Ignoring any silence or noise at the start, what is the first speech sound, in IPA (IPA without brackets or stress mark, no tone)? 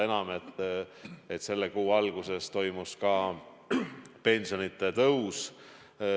e̞